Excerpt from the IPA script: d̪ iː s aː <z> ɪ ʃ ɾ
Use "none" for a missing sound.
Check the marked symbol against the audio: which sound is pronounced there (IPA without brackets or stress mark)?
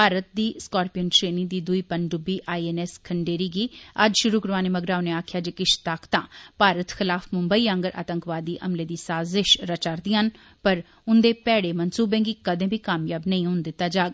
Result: z